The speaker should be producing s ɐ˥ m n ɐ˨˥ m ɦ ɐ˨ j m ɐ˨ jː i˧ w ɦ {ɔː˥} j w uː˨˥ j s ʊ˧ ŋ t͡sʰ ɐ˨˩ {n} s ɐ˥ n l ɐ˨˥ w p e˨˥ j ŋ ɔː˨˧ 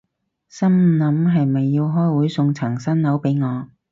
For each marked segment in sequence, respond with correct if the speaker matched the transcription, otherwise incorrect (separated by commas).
correct, incorrect